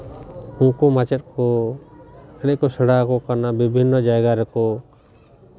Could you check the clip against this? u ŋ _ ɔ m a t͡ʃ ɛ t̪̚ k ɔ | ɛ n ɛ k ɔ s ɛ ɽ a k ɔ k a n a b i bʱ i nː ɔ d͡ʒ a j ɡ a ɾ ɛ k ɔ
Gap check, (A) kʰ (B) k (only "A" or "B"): B